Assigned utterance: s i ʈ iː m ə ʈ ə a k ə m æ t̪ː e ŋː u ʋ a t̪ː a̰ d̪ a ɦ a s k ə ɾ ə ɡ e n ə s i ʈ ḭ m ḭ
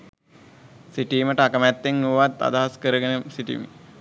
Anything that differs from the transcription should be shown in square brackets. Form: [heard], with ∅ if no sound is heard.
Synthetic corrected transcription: s i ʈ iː m ə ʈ ə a k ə m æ t̪ː e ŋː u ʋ a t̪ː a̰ d̪ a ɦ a s k ə ɾ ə ɡ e n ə s i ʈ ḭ m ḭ